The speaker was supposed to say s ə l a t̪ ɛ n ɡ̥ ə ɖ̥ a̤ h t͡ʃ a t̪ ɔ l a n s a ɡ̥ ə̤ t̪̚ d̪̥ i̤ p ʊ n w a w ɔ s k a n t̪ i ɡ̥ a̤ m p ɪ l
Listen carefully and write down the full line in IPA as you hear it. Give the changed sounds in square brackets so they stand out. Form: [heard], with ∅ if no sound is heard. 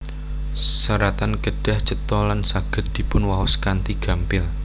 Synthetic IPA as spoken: s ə [ɾ] a t̪ [a] n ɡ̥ ə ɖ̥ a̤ h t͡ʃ [ə] t̪ ɔ l a n s a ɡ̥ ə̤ t̪̚ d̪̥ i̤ p ʊ n w a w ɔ s k a n t̪ i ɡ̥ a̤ m p ɪ l